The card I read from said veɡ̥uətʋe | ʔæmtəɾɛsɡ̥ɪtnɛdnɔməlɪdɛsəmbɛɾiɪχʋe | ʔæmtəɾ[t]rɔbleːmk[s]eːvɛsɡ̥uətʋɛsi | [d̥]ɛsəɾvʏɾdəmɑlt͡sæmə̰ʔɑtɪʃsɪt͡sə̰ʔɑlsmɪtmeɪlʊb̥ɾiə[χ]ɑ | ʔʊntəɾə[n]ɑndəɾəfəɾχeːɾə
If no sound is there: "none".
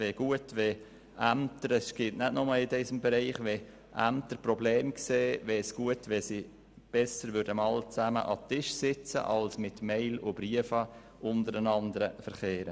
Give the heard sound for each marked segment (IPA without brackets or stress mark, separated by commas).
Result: p, s, b̥, f, n